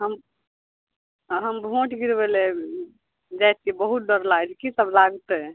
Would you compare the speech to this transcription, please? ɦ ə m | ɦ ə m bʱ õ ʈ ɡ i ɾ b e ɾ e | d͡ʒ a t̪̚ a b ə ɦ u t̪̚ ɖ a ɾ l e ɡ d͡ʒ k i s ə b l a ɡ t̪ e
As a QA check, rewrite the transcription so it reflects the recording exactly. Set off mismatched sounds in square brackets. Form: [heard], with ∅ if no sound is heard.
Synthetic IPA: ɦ ə m | ɦ ə m bʱ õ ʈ ɡ i ɾ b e [l] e | d͡ʒ a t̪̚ [i] b ə ɦ u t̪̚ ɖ [ə] ɾ l [a] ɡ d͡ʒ k i s ə b l a ɡ t̪ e